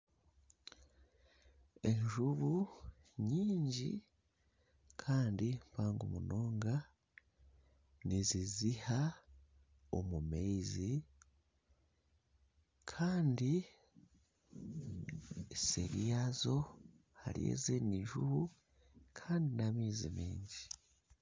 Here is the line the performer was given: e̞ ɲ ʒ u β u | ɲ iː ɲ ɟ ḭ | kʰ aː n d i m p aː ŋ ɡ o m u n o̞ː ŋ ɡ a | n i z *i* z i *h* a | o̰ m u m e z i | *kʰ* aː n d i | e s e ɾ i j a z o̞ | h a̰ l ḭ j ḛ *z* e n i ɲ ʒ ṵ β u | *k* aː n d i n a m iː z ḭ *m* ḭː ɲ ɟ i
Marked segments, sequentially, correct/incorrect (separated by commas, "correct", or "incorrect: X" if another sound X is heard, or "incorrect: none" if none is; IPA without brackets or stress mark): correct, correct, correct, correct, incorrect: kʰ, correct